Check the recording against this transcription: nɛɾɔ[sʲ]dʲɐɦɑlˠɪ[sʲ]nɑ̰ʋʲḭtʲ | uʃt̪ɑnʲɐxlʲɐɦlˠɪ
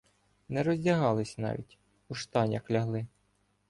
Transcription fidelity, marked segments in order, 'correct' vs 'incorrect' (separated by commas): incorrect, correct